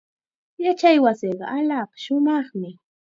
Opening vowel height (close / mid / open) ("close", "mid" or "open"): open